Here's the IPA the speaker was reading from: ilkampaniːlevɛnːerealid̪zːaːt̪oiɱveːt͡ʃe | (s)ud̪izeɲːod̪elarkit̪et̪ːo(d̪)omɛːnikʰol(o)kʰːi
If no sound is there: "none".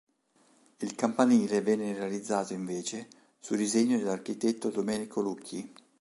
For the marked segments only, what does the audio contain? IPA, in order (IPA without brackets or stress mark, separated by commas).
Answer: s, d̪, u